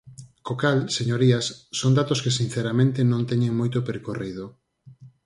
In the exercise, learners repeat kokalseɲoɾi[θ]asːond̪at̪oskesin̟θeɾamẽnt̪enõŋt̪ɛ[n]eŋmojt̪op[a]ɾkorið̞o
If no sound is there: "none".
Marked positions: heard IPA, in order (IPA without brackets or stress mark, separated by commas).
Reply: none, ɲ, e